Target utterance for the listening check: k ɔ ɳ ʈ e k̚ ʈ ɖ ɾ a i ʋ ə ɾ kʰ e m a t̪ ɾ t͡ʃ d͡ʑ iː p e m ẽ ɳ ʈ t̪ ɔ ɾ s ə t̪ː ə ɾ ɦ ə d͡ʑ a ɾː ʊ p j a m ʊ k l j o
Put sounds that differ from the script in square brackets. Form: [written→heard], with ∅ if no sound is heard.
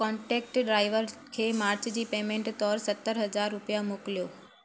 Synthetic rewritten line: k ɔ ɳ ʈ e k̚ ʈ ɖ ɾ a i ʋ ə ɾ kʰ e m a [t̪→∅] ɾ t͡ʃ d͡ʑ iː p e m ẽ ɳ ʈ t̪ ɔ ɾ s ə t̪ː ə ɾ ɦ ə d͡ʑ a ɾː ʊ p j a m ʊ k l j o